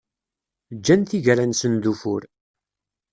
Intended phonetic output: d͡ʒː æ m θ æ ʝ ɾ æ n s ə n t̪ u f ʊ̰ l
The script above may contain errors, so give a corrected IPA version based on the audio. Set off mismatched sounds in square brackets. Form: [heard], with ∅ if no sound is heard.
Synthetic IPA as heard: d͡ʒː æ [n] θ [i] ʝ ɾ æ n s ə n [d̪] u f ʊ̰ [ɾ]